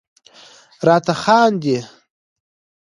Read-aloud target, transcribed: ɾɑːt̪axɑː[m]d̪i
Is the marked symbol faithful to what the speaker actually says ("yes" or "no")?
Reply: no